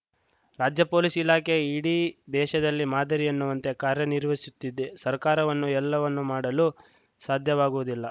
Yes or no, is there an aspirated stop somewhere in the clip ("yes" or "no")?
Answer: no